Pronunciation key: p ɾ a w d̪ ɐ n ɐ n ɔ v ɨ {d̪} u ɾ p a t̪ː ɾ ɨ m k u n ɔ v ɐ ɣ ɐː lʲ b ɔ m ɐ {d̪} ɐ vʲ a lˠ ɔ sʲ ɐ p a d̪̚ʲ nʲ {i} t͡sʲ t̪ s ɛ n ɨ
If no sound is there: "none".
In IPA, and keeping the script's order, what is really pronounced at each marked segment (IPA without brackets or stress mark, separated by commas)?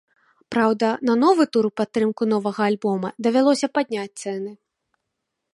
t̪, d̪, a